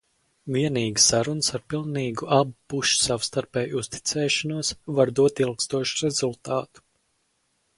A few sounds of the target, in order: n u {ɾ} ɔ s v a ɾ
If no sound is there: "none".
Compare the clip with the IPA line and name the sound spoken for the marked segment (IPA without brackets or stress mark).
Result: none